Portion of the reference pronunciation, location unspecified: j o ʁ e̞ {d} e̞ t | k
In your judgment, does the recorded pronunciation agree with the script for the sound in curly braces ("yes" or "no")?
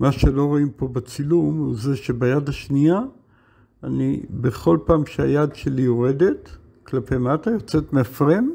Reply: yes